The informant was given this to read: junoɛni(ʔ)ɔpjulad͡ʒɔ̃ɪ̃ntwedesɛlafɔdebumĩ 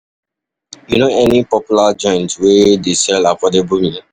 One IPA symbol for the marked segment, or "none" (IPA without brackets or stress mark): p